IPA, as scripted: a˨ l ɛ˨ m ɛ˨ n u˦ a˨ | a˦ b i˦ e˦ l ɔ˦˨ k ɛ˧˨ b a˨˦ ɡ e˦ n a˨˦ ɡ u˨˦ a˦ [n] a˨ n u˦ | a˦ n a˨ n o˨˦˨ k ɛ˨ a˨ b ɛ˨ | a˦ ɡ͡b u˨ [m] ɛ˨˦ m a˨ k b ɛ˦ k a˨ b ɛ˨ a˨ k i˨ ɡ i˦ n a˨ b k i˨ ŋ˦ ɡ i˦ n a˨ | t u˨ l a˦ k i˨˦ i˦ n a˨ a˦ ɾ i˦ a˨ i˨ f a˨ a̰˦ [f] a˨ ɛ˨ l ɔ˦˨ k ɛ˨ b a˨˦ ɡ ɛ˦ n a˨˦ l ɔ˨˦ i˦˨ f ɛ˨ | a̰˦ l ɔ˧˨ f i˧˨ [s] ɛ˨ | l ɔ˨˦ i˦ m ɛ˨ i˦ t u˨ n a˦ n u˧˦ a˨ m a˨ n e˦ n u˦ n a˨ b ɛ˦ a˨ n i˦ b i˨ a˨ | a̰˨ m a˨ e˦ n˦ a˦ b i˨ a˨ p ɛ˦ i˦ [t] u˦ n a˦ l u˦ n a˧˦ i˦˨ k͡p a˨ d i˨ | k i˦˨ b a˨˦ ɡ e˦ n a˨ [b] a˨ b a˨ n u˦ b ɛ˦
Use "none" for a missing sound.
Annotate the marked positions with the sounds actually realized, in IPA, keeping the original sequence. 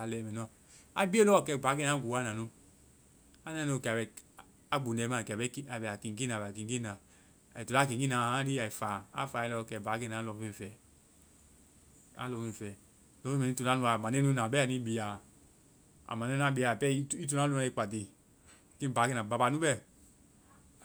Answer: n, n, f, f, t, b

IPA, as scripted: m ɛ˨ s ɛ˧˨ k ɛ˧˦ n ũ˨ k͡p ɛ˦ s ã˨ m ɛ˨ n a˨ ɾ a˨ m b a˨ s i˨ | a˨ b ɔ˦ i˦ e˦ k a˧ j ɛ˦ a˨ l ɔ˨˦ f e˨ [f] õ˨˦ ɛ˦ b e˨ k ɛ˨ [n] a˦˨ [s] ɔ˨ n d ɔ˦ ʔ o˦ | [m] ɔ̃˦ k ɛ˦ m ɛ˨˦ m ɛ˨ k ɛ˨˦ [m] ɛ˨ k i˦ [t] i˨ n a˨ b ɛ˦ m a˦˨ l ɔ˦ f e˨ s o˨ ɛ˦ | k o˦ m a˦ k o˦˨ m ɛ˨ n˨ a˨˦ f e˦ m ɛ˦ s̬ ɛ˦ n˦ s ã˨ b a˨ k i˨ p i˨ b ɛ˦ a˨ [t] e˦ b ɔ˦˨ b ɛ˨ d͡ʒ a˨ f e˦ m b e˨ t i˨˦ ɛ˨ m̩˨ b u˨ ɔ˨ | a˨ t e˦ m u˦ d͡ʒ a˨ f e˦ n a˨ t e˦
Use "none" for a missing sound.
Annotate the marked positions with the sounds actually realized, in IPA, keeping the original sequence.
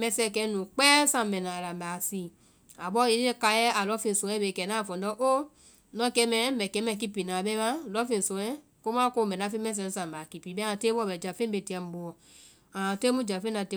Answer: s, n, f, n, m, p, t

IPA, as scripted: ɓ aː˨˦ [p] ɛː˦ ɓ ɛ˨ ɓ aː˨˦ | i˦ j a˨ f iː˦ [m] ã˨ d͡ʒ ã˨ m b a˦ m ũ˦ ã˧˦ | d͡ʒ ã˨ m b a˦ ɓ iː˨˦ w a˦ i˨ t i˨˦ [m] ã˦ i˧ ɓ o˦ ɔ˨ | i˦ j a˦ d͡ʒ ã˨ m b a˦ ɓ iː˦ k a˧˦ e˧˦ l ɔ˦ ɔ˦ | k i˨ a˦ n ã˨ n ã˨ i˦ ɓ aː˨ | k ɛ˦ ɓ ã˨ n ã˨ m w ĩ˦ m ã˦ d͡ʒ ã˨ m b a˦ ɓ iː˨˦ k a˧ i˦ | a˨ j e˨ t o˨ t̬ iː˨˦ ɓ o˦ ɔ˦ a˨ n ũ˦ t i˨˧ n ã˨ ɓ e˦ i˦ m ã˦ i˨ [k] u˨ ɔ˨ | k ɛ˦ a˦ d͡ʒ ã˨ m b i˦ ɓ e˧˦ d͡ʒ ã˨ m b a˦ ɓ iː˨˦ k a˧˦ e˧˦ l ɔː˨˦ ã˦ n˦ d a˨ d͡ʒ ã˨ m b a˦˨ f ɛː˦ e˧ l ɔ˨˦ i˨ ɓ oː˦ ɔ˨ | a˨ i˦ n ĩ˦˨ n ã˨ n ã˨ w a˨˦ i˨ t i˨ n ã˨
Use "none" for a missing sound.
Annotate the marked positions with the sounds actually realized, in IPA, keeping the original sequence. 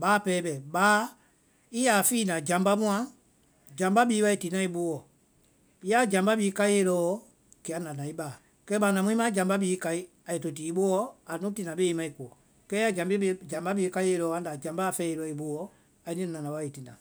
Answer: p, n, n, k

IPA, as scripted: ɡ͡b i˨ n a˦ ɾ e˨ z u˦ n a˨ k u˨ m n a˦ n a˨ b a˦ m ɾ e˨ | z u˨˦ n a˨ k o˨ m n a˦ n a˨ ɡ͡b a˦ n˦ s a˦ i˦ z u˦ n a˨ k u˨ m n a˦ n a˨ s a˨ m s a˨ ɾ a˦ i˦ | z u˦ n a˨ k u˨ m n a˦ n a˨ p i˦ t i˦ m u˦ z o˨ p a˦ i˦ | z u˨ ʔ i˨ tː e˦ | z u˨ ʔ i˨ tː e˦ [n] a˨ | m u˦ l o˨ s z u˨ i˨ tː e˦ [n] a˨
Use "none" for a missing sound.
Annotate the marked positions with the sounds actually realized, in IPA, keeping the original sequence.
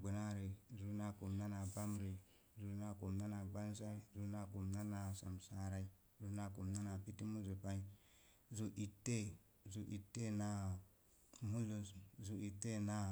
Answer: n, n

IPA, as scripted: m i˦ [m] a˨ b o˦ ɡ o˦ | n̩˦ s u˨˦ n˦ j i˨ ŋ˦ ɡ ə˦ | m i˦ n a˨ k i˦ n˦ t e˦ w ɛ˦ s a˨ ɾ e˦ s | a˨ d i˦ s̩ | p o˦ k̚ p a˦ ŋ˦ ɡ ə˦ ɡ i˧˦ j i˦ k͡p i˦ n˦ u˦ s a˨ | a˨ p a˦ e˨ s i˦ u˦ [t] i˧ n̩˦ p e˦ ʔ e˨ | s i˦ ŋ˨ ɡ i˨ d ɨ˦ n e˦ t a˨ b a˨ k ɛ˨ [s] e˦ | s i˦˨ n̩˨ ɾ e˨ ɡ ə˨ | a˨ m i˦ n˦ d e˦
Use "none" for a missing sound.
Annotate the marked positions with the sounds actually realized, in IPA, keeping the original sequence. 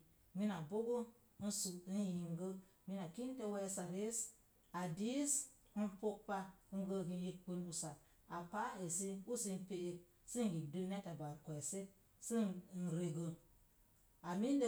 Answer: n, s, s

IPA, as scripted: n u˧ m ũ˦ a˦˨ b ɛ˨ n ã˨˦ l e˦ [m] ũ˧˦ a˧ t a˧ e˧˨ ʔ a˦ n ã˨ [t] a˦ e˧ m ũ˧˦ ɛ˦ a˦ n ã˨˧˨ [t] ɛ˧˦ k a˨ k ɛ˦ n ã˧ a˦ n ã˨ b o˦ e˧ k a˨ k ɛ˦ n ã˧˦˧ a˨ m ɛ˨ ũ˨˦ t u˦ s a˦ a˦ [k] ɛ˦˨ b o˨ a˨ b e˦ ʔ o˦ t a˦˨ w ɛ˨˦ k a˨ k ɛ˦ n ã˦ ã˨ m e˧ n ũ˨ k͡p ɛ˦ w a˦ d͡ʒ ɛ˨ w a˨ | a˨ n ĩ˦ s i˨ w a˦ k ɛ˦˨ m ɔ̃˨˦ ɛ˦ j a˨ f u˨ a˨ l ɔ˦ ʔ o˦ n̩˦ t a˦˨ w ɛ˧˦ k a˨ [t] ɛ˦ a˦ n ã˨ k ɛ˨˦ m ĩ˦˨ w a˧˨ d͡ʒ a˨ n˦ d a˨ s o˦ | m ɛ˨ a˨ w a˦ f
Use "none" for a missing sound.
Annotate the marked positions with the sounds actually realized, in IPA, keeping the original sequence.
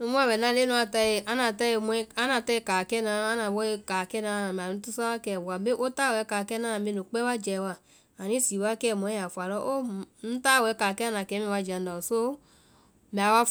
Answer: n, t, t, k, k

